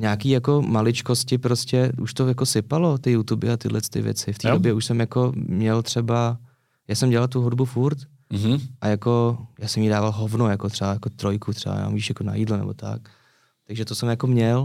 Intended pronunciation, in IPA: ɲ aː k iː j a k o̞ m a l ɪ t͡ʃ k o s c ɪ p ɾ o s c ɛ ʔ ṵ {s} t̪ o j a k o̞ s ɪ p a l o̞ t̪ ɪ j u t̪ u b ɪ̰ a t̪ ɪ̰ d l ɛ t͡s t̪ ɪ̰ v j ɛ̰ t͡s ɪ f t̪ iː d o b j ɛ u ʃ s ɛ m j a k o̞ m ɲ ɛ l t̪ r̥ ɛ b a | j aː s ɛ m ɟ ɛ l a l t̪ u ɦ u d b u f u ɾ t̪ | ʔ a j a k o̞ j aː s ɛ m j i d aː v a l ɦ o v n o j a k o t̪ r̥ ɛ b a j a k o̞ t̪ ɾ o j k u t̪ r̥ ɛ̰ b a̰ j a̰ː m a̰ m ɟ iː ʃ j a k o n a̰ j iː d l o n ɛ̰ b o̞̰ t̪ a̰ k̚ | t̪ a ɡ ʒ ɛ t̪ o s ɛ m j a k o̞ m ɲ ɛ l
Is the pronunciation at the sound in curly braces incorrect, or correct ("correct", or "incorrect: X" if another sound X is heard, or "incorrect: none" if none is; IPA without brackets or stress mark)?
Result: incorrect: ʃ